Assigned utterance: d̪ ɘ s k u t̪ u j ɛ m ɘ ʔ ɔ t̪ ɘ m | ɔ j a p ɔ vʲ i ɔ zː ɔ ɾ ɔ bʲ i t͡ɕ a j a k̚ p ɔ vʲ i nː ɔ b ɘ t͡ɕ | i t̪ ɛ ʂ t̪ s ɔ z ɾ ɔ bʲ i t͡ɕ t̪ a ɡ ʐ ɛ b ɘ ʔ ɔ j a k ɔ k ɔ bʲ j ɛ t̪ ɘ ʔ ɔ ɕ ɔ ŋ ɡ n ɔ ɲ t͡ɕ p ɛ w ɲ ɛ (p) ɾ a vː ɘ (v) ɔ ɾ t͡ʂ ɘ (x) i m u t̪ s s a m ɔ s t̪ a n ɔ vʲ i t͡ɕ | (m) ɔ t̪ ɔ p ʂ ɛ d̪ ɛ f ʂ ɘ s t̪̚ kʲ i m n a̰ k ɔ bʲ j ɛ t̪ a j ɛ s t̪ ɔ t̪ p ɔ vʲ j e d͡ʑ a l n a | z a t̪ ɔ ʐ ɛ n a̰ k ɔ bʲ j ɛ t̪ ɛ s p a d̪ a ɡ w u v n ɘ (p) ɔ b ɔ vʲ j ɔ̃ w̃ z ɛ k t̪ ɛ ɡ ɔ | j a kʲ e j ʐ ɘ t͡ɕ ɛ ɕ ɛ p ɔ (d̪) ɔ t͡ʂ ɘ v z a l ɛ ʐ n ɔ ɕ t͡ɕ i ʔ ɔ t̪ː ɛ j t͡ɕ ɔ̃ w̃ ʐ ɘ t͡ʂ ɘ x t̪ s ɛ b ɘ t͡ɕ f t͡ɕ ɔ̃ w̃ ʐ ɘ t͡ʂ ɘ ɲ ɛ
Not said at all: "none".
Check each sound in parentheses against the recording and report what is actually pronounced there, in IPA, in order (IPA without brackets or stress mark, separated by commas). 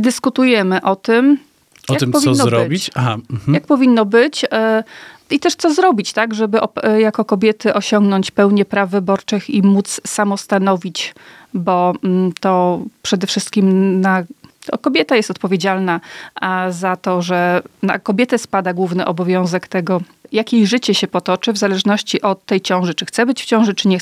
p, b, x, b, ʔ, t̪